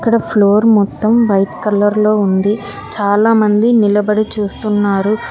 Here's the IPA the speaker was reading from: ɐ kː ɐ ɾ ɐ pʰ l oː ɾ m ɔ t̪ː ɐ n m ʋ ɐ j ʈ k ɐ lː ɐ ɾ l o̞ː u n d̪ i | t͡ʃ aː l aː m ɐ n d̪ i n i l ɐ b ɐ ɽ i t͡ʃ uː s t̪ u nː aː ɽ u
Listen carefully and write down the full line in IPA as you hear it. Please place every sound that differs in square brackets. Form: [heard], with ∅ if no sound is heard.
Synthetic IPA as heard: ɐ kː ɐ [ɽ] ɐ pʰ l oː ɾ m ɔ t̪ː ɐ [∅] m ʋ ɐ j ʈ k ɐ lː ɐ ɾ l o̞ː u n d̪ i | t͡ʃ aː l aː m ɐ n d̪ i n i l ɐ b ɐ ɽ i t͡ʃ uː s t̪ u nː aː [ɾ] u